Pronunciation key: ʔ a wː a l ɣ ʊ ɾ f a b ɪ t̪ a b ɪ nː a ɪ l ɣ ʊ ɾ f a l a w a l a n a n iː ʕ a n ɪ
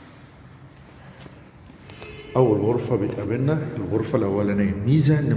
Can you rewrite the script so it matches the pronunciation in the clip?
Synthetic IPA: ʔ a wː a l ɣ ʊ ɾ f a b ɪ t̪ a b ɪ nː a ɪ l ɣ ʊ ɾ f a l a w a l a n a m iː z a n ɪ